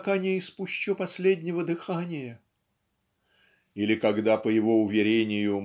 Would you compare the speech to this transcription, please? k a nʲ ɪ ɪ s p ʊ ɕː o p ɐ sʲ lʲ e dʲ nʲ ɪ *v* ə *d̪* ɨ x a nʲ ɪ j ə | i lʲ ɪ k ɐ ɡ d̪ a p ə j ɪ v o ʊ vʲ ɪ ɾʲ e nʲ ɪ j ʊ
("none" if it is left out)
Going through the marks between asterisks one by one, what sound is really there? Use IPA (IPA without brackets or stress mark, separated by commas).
v, d̪